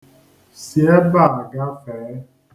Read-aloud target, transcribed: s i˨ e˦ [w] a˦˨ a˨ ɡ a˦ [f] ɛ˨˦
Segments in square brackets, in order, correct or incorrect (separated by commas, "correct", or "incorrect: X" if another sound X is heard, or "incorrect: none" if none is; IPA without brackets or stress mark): incorrect: b, correct